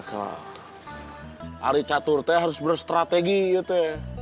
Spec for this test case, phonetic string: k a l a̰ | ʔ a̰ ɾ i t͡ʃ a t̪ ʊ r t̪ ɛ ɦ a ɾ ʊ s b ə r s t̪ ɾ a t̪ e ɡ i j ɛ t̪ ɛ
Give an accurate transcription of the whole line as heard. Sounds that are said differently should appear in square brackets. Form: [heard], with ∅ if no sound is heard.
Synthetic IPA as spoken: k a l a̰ | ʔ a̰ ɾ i t͡ʃ a t̪ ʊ r t̪ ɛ ɦ a ɾ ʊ s b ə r s t̪ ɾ a t̪ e ɡ i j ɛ t̪ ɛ